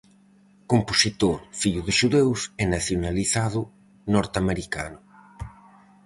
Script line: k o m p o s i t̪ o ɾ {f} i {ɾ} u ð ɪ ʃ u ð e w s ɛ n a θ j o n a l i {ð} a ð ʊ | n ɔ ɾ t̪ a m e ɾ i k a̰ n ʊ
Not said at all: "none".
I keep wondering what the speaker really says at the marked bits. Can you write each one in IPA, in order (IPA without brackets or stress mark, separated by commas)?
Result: f, ʎ, θ